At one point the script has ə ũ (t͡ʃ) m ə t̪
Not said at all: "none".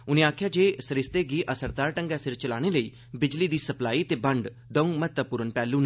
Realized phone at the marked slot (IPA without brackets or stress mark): none